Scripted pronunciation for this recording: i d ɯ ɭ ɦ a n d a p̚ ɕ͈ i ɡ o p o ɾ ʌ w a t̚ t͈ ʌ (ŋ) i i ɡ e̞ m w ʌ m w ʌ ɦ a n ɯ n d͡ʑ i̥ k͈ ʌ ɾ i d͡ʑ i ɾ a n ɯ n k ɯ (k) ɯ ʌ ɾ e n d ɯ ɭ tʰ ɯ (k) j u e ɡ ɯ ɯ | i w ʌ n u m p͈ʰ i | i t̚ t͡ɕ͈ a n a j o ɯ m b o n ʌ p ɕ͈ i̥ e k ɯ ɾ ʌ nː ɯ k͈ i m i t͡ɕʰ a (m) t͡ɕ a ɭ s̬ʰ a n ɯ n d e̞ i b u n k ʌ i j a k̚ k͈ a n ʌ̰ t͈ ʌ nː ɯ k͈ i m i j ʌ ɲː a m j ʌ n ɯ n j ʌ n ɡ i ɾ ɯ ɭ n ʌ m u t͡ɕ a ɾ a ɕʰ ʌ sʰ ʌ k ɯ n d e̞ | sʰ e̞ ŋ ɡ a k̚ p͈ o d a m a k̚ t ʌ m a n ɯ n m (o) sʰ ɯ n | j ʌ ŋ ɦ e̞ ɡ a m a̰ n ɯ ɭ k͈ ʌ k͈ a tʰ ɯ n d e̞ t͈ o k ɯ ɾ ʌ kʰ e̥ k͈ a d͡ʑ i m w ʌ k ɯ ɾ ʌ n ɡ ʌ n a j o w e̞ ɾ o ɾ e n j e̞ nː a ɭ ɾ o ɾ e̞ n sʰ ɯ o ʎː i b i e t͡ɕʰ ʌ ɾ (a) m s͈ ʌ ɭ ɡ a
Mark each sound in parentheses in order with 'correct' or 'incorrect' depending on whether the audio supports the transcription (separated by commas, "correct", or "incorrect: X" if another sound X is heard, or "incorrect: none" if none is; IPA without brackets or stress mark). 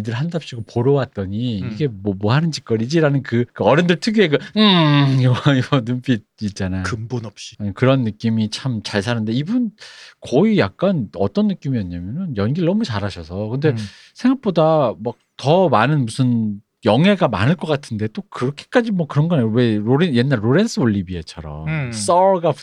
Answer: incorrect: ɲ, correct, incorrect: ɡ, correct, incorrect: u, incorrect: ʌ